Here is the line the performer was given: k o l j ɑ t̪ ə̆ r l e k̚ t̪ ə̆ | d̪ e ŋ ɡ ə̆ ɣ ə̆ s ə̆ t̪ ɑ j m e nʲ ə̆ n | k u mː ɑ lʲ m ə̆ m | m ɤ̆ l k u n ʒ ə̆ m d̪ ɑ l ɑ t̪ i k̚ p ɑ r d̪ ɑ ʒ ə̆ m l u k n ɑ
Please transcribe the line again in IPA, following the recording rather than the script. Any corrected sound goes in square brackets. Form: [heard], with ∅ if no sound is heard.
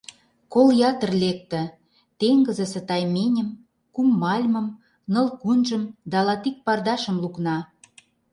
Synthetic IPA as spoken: k o l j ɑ t̪ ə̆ r l e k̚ t̪ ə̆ | [t̪] e ŋ ɡ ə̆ [z] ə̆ s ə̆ t̪ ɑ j m e nʲ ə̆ [m] | k u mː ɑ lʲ m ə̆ m | [n] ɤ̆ l k u n ʒ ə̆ m d̪ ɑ l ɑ t̪ i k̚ p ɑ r d̪ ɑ [ʃ] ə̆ m l u k n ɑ